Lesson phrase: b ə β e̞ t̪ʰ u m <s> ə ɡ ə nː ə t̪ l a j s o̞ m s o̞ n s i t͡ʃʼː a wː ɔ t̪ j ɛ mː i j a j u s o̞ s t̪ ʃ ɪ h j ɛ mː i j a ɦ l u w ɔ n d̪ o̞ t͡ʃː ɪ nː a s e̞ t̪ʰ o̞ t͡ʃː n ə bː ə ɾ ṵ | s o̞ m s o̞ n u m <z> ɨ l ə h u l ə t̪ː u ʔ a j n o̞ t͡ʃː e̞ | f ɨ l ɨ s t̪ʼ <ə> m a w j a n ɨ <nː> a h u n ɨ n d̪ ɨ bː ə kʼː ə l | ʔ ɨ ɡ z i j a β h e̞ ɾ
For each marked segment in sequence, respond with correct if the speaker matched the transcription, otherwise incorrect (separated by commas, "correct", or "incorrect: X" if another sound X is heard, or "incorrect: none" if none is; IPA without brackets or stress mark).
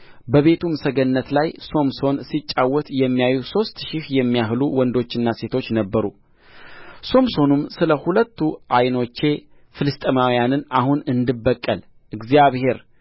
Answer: correct, incorrect: s, correct, incorrect: n